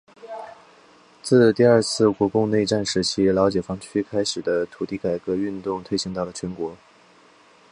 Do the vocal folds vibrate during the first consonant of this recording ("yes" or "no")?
no